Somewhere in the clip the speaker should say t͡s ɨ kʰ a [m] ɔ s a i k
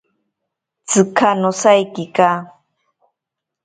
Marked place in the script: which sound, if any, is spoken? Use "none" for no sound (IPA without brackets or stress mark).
n